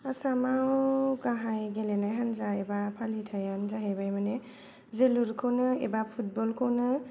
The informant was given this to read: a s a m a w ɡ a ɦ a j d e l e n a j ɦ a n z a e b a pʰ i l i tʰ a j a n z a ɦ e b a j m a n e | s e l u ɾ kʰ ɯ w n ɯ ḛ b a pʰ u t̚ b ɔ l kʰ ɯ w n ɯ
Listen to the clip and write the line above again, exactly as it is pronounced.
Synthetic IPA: a s a m a w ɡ a ɦ a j ɡ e l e n a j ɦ a n z a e b a pʰ a l i tʰ a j a n z a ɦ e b a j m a n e | z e l u ɾ kʰ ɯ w n ɯ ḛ b a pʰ u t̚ b ɔ l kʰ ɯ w n ɯ